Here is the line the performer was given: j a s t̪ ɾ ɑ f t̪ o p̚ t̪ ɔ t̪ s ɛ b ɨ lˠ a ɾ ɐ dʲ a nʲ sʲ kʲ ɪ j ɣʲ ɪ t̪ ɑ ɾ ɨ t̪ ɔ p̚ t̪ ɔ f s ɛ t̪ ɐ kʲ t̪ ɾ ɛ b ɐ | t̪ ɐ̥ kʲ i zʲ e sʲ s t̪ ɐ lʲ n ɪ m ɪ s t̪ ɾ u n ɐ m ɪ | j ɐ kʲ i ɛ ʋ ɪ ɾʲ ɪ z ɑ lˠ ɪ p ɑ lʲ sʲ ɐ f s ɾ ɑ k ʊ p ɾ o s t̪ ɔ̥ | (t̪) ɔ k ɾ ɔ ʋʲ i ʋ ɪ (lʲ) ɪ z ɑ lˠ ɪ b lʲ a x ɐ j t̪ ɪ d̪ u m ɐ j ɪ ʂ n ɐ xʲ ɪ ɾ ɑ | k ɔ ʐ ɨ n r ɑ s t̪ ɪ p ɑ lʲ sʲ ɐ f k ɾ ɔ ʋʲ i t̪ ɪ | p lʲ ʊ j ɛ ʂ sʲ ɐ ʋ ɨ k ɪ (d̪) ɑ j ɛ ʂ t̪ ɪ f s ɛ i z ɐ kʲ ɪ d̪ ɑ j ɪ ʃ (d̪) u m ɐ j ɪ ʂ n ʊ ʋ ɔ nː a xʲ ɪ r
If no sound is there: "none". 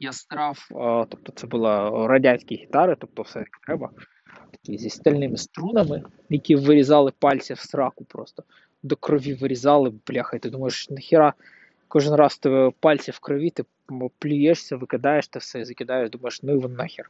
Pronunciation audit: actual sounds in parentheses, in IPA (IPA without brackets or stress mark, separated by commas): d̪, ɾʲ, d̪, d̪